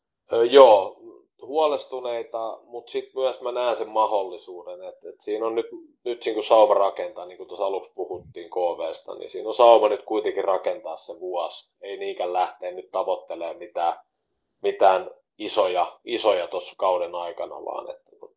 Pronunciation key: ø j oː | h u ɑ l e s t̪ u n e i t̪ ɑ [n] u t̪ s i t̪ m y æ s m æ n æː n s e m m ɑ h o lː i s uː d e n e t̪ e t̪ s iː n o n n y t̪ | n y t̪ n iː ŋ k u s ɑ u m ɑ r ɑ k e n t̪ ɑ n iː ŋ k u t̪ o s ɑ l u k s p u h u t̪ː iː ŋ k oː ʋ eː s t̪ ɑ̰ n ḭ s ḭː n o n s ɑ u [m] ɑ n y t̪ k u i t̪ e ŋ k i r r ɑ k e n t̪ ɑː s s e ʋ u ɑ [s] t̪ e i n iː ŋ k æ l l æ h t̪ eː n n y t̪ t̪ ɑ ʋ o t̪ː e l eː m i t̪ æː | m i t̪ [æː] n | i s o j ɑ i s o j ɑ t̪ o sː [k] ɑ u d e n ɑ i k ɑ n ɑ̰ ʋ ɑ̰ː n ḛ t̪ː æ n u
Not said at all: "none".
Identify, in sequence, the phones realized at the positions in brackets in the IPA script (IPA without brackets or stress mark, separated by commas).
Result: m, m, s, æː, k